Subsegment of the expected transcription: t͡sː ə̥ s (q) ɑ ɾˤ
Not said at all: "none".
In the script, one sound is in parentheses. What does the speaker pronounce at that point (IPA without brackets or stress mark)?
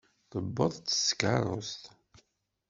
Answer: k